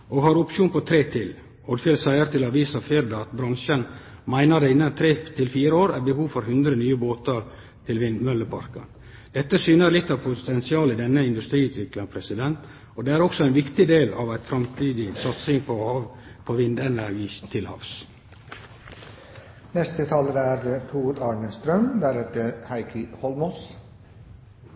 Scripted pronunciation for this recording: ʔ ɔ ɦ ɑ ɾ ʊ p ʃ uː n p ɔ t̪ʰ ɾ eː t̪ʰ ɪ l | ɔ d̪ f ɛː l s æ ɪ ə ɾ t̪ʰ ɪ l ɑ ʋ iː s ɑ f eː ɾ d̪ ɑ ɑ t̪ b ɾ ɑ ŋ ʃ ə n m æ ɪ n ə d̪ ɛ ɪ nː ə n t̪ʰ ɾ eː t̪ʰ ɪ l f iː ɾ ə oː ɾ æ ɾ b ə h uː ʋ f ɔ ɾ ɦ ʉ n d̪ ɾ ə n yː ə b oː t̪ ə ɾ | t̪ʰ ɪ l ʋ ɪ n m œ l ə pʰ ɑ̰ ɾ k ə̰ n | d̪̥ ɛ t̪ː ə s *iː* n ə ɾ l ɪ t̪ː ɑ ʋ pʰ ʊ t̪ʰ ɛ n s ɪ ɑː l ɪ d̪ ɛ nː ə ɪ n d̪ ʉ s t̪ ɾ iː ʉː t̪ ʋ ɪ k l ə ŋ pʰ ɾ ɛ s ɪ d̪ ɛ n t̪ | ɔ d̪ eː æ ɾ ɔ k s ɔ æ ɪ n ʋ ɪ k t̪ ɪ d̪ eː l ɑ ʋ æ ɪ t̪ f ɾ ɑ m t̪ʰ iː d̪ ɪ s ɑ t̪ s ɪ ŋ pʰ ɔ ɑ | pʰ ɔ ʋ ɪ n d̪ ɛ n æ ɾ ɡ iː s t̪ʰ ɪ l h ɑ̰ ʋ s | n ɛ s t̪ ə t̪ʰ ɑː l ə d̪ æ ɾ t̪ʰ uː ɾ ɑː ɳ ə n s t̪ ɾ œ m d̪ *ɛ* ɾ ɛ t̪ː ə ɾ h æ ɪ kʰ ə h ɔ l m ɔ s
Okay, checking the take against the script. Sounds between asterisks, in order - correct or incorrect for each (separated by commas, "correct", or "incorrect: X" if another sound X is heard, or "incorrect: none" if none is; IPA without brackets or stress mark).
incorrect: yː, incorrect: æ